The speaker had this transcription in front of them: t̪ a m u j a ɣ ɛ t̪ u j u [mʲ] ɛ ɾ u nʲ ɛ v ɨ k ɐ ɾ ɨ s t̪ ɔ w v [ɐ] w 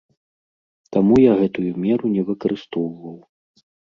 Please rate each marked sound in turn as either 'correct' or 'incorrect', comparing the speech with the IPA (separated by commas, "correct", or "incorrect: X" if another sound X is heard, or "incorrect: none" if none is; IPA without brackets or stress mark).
correct, correct